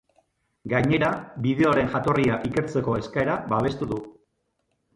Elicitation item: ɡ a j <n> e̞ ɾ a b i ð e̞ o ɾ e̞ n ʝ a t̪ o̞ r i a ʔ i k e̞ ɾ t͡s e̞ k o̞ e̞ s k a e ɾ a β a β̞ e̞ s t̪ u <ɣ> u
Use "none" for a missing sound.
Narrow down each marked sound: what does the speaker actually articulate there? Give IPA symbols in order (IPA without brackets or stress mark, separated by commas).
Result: ɲ, ð